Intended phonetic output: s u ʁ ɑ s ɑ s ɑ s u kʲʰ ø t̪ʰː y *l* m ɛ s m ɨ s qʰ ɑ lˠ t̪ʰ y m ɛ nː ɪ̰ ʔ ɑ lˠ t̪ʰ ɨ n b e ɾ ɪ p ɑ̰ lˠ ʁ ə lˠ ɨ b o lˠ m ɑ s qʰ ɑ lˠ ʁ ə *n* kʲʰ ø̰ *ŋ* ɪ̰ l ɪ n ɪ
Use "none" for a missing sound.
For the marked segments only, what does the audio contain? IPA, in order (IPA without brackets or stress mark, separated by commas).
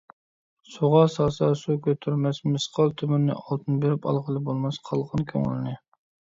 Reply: ɾ, n, ŋ